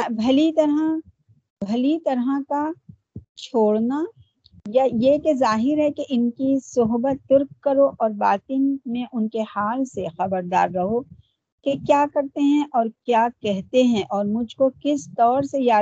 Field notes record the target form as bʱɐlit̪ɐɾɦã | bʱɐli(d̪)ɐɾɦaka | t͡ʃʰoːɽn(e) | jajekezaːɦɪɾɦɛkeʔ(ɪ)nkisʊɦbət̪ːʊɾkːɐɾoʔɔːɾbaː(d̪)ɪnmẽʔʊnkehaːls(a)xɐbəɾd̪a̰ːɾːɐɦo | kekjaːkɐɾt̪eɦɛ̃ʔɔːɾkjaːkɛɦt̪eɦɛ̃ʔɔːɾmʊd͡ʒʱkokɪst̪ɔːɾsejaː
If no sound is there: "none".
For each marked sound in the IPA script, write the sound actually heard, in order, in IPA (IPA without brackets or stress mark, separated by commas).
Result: t̪, a, ɪ, t̪, e